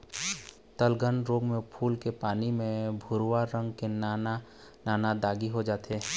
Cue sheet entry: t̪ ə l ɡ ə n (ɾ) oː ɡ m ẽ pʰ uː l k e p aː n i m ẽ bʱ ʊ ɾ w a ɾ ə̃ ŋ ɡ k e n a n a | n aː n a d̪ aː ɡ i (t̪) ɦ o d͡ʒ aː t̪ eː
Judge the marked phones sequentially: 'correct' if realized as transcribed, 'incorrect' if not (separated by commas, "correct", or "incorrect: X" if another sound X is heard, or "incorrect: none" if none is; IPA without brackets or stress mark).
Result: correct, incorrect: none